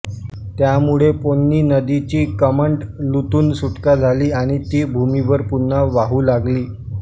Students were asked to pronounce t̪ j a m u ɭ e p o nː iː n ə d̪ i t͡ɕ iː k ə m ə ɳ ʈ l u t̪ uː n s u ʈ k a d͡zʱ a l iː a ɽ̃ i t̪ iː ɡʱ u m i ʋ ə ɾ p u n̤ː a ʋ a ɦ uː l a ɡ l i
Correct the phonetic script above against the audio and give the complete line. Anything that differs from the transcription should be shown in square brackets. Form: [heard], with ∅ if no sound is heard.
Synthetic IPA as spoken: t̪ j a m u ɭ e p o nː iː n ə d̪ i t͡ɕ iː k ə m ə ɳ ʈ l u t̪ uː n s u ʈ k a d͡zʱ a l iː a ɽ̃ i t̪ iː [bʱ] u m i ʋ ə ɾ p u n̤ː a ʋ a ɦ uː l a ɡ l [iː]